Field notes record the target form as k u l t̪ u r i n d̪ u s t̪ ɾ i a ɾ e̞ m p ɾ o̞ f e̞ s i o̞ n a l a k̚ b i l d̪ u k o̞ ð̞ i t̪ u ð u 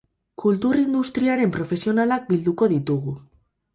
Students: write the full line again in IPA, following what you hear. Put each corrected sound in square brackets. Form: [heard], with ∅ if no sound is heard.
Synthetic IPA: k u l t̪ u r i n d̪ u s t̪ ɾ i a ɾ e̞ m p ɾ o̞ f e̞ s i o̞ n a l a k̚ b i l d̪ u k o̞ ð̞ i t̪ u [ɣ] u